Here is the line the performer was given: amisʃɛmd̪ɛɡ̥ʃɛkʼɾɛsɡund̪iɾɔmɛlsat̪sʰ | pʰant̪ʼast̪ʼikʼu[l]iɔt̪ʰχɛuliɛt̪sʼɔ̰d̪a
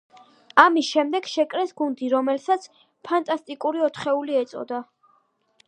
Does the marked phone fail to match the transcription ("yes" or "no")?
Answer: yes